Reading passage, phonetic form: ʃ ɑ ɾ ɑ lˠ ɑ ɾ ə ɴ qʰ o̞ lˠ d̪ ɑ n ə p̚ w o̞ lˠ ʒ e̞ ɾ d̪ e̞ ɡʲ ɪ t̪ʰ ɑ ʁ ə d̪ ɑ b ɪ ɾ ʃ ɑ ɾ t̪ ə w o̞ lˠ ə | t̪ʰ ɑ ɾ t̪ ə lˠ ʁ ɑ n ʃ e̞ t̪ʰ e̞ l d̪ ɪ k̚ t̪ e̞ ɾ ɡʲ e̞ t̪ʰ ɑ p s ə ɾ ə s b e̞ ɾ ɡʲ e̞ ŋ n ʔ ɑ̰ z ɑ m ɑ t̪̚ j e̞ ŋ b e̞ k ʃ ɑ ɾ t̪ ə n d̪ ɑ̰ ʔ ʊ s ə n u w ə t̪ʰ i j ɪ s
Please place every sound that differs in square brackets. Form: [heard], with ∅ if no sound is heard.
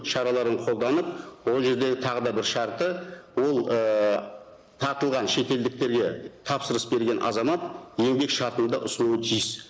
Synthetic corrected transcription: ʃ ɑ ɾ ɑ lˠ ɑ ɾ ə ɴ qʰ o̞ lˠ d̪ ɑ n ə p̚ w o̞ lˠ ʒ e̞ ɾ d̪ e̞ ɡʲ ɪ t̪ʰ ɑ ʁ ə d̪ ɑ b ɪ ɾ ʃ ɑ ɾ t̪ ə w o̞ lˠ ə | t̪ʰ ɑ ɾ t̪ ə lˠ ʁ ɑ n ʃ e̞ [t̪] e̞ l d̪ ɪ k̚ t̪ e̞ ɾ ɡʲ e̞ t̪ʰ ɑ p s ə ɾ ə s b e̞ ɾ ɡʲ e̞ [∅] n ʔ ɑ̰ z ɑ m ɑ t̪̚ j e̞ ŋ b e̞ k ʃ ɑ ɾ t̪ ə n d̪ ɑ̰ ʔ ʊ s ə n u w ə t̪ʰ i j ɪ s